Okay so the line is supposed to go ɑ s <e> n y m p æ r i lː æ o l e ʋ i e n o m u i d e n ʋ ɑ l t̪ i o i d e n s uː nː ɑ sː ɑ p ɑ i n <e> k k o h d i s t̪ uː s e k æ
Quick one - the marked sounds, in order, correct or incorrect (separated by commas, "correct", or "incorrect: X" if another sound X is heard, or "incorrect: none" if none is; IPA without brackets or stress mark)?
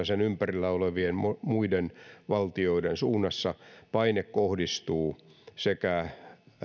correct, correct